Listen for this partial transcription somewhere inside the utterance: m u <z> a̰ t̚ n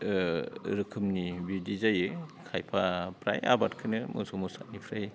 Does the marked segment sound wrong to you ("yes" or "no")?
yes